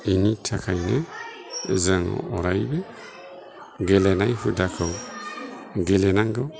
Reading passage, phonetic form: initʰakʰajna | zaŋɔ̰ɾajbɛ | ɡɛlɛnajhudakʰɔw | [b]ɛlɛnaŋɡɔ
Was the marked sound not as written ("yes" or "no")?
yes